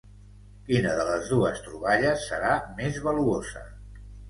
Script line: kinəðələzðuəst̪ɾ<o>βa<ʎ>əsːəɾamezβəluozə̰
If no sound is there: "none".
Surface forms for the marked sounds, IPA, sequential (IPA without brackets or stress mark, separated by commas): u, ʎ